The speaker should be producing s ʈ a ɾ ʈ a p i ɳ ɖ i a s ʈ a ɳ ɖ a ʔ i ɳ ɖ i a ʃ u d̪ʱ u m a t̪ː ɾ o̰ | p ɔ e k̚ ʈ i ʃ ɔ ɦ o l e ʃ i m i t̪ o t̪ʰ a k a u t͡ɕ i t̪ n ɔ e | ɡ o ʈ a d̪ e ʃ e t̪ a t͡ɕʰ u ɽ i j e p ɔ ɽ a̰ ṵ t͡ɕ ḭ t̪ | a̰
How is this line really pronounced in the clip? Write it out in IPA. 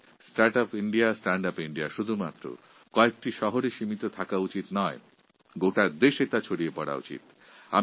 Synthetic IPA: s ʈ a ɾ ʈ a p i ɳ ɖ i a s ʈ a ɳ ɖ a p i ɳ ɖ i a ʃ u d̪ʱ u m a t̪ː ɾ o̰ | k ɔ e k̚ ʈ i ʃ ɔ ɦ o ɾ e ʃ i m i t̪ o t̪ʰ a k a u t͡ɕ i t̪ n ɔ e | ɡ o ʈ a d̪ e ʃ e t̪ a t͡ɕʰ o ɽ i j e p ɔ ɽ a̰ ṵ t͡ɕ ḭ t̪ | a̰